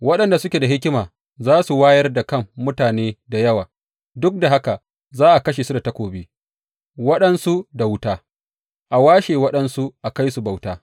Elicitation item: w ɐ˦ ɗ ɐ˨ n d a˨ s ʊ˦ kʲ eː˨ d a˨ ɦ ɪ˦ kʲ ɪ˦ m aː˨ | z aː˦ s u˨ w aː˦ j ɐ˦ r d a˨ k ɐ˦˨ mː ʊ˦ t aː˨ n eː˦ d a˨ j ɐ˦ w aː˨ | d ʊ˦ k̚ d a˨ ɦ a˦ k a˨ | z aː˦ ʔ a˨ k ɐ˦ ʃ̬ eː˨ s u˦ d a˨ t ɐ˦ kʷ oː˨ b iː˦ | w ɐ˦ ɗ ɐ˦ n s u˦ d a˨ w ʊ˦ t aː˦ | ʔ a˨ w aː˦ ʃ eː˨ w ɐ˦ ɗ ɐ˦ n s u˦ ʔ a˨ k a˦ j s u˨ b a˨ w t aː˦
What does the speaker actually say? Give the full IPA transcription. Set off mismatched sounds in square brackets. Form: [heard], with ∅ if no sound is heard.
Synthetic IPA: w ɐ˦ ɗ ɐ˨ n d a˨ s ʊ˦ kʲ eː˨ d a˨ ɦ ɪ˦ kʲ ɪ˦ m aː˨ | z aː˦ s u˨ w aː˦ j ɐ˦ r d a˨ k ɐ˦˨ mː ʊ˦ t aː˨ n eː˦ d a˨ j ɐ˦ w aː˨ | d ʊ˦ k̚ d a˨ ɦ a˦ k a˨ | z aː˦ ʔ a˨ k ɐ˦ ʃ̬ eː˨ s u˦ d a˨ t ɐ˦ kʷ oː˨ b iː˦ | w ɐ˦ ɗ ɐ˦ n s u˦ d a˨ w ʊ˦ t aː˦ | ʔ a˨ w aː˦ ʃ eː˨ w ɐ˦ ɗ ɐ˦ n s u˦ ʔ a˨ k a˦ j s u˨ b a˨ w t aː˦